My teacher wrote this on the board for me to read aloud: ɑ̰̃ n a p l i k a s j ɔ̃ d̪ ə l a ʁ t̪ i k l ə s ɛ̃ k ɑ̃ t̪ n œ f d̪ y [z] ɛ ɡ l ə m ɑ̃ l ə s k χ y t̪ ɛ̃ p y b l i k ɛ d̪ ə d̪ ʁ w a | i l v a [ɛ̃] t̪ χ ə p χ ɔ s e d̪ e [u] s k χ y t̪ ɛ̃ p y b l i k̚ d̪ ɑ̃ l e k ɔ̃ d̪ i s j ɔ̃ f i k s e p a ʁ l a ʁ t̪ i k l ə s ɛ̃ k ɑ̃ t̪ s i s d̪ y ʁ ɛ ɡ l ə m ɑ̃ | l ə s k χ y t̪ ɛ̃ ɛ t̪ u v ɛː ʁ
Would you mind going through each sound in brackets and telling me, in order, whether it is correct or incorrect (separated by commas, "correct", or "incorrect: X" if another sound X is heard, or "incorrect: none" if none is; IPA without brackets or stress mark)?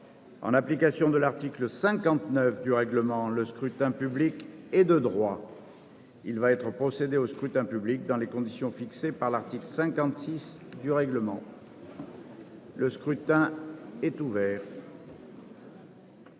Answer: incorrect: ʁ, incorrect: ɛ, incorrect: o